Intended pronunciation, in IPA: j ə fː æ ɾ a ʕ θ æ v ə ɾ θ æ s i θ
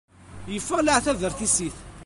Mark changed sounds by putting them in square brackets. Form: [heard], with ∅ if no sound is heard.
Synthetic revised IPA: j ə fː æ [l] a ʕ θ æ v ə ɾ θ [i] s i θ